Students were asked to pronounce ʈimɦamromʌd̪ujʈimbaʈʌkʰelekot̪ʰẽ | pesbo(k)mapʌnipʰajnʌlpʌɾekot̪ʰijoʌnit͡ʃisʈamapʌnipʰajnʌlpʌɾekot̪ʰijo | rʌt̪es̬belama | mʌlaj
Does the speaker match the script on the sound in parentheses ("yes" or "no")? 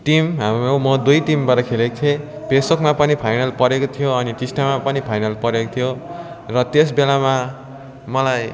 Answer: yes